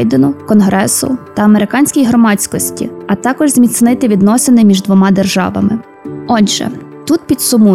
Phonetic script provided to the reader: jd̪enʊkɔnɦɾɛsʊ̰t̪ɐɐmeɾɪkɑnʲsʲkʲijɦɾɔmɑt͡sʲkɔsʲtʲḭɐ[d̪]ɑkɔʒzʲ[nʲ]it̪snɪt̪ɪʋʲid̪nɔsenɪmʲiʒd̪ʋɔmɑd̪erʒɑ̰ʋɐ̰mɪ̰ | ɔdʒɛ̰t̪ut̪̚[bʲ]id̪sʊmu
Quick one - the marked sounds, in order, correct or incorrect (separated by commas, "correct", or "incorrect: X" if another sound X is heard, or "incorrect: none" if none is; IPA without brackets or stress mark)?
incorrect: t̪, incorrect: mʲ, incorrect: pʲ